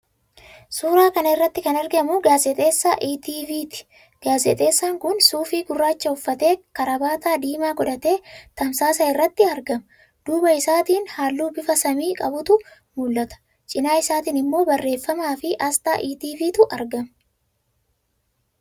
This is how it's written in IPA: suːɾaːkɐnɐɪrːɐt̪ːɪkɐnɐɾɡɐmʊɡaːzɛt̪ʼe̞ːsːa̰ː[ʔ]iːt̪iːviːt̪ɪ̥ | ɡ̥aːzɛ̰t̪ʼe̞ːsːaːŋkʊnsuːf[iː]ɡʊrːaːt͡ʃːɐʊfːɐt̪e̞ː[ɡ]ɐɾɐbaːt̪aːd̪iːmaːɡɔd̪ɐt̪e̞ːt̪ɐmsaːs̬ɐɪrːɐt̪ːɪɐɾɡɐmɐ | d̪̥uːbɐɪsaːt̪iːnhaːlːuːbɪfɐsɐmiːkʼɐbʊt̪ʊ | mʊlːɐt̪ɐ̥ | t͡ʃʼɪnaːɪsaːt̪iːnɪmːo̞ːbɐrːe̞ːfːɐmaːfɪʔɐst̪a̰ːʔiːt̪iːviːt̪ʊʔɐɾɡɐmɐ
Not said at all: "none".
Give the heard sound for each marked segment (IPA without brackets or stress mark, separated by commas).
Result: ʔ, iː, k